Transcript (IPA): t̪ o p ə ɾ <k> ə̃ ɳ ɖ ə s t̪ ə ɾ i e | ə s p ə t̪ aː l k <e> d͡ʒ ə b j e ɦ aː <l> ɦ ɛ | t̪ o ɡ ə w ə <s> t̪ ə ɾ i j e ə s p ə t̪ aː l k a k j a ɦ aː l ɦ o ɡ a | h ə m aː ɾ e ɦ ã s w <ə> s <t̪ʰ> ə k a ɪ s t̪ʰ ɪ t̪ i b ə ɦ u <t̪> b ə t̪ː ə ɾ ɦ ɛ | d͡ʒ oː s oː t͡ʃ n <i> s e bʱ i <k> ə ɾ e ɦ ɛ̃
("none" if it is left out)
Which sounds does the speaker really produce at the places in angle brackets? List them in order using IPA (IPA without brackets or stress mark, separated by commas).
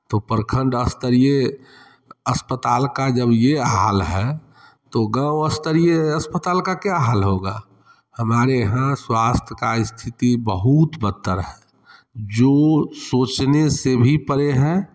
kʰ, a, l, s, a, t̪ʰ, t̪, e, p